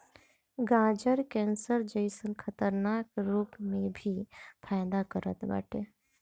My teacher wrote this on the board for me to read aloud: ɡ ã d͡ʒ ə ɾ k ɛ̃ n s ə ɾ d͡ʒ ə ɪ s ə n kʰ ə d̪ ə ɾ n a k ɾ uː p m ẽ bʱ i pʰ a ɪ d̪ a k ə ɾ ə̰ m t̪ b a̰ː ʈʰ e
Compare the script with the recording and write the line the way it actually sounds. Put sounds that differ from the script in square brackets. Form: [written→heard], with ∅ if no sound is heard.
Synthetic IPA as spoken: ɡ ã d͡ʒ ə ɾ k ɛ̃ n s ə ɾ d͡ʒ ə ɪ s ə n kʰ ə [d̪→t̪] ə ɾ n a k ɾ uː p m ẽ bʱ i pʰ a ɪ d̪ a k ə ɾ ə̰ [m→∅] t̪ b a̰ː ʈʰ e